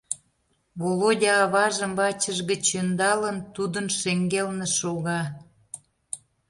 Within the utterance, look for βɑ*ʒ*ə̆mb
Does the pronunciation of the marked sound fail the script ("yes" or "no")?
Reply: no